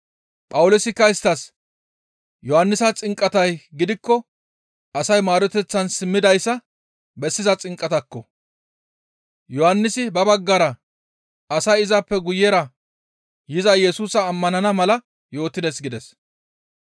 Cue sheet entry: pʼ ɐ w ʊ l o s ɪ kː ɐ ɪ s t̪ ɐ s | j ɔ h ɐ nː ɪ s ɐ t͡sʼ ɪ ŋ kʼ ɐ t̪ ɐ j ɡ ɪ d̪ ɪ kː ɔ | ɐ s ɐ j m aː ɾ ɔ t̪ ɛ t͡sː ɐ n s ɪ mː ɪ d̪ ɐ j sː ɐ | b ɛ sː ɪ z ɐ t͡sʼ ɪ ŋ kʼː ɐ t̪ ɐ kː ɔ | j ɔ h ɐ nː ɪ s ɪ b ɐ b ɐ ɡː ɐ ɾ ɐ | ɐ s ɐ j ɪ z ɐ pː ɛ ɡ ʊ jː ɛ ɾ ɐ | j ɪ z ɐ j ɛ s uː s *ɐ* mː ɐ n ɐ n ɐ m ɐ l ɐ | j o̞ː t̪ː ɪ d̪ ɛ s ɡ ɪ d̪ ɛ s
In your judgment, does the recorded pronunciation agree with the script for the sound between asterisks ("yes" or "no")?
no